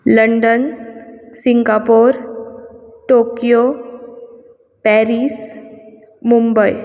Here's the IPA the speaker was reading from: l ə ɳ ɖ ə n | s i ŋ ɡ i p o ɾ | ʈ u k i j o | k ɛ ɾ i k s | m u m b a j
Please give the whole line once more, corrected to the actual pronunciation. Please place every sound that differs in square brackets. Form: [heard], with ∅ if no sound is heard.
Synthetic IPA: l ə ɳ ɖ ə n | s i ŋ ɡ [a] p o ɾ | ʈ [o] k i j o | [p] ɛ ɾ i [∅] s | m u m b [ə] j